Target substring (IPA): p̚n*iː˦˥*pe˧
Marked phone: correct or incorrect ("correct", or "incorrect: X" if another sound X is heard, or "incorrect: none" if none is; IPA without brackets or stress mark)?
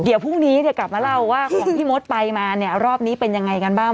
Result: correct